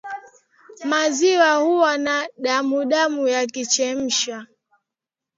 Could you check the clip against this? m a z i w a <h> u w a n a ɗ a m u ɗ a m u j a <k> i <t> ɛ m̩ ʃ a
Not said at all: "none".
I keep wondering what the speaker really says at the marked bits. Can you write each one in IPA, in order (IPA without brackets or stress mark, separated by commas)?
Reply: h, k, t͡ʃ